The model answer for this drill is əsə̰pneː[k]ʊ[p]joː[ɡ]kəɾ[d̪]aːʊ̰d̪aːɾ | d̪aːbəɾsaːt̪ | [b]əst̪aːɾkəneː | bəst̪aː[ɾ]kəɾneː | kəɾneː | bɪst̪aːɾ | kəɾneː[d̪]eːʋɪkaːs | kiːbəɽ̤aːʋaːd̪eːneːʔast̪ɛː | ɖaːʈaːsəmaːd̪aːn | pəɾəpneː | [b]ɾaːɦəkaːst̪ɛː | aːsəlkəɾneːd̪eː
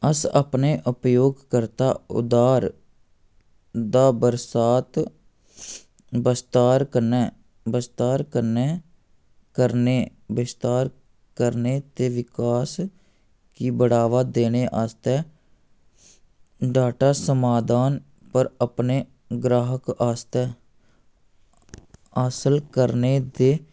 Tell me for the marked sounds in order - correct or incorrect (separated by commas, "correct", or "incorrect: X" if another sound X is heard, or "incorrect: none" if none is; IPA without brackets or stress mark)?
incorrect: ʔ, correct, correct, incorrect: t̪, correct, correct, incorrect: t̪, incorrect: ɡ